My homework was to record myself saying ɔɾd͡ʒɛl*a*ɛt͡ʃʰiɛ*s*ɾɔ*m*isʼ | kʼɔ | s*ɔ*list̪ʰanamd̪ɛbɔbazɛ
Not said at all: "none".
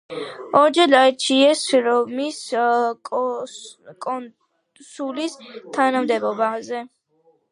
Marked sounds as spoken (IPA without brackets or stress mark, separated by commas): a, s, m, u